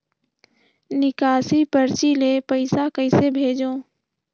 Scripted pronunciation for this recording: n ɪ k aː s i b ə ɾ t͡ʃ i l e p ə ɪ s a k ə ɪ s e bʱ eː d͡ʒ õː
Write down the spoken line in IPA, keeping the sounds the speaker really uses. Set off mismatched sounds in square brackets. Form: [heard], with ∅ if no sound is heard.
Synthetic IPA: n ɪ k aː s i [p] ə ɾ t͡ʃ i l e p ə ɪ s a k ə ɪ s e bʱ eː d͡ʒ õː